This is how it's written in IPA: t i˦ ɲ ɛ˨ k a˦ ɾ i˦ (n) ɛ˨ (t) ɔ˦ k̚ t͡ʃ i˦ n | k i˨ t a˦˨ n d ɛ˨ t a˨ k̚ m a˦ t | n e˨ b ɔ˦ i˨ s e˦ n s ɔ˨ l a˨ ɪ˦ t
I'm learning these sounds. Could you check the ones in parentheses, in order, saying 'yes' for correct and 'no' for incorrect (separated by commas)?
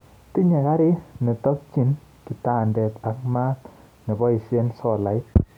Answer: yes, yes